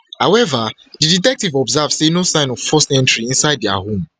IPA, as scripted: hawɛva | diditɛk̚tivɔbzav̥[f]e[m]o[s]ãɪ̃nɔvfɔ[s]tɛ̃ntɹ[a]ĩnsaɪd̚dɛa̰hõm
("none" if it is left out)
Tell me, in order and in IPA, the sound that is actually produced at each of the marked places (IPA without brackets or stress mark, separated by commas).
s, n, s, s, i